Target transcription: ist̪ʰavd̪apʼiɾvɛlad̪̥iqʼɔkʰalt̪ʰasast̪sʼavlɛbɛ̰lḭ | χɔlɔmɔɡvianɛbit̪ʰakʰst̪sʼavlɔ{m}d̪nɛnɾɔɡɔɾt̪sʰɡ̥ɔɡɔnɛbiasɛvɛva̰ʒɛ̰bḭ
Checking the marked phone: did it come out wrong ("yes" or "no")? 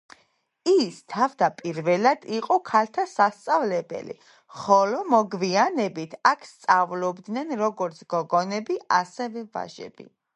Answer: yes